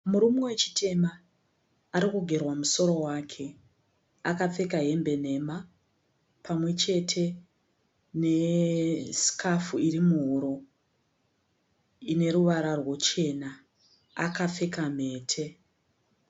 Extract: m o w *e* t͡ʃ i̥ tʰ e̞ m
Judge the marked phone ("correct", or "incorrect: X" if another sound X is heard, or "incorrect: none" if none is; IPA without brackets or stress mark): correct